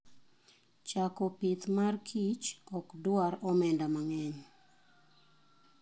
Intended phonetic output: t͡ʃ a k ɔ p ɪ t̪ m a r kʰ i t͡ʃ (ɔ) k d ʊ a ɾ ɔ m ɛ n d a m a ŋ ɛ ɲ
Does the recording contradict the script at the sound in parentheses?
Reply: no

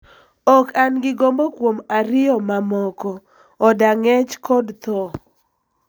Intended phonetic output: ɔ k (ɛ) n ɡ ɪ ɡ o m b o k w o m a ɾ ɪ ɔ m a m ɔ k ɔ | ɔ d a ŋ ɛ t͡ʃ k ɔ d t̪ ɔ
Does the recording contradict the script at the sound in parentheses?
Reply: yes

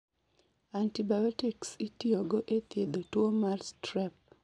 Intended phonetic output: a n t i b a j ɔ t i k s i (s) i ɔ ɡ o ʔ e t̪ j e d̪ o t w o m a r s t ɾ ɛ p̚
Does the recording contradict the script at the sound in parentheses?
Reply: yes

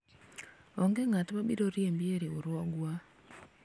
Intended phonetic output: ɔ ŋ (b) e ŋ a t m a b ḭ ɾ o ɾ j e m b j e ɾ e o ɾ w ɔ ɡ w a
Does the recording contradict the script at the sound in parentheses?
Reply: yes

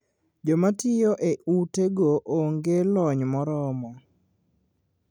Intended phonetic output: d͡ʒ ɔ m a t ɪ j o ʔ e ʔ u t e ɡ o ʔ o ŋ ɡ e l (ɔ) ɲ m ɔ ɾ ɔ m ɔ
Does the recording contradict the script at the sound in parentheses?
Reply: no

